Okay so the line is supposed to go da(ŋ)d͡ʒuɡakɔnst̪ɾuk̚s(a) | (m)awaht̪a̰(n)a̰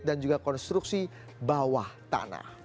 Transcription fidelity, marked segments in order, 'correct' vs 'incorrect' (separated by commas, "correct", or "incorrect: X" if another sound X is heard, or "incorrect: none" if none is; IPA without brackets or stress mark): incorrect: n, incorrect: i, incorrect: b, correct